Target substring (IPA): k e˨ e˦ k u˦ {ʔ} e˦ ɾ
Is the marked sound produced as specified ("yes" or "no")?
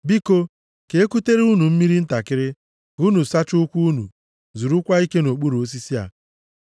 no